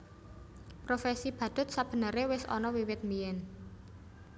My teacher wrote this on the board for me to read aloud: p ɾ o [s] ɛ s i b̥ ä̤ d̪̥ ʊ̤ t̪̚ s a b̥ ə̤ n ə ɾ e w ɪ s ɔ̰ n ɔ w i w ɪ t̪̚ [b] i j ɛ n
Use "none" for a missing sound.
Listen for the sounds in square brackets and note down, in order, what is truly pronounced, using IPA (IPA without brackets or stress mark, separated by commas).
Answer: f, m